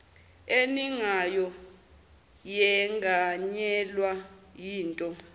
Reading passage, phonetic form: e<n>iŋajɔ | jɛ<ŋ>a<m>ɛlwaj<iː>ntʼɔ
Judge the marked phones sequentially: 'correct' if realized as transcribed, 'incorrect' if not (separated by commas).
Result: correct, correct, incorrect, correct